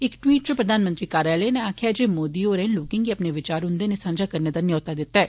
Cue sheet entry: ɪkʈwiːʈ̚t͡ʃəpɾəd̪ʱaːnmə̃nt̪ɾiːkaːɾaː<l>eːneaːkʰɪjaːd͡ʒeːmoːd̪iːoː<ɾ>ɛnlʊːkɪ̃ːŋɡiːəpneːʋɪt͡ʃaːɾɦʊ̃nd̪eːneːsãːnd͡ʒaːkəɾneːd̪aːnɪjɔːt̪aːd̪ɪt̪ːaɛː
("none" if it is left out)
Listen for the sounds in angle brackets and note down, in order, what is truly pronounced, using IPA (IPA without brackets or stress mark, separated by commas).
l, ɾ